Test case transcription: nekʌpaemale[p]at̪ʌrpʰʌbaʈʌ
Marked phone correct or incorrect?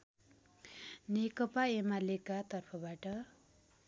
incorrect